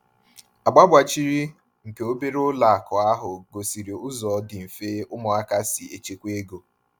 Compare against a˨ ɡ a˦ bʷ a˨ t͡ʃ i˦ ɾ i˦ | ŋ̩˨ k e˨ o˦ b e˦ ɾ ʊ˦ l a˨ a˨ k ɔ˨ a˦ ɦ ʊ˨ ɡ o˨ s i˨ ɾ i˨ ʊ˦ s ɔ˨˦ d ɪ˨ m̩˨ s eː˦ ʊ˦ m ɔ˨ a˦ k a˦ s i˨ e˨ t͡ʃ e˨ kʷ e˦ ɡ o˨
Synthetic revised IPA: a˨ ɡ͡b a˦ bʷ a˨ t͡ʃ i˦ ɾ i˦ | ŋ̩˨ k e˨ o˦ b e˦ ɾ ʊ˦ l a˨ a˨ k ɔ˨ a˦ ɦ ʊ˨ ɡ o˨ s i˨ ɾ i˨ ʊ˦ z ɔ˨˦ d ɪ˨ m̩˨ f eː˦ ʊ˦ m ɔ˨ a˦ k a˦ s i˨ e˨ t͡ʃ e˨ kʷ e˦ ɡ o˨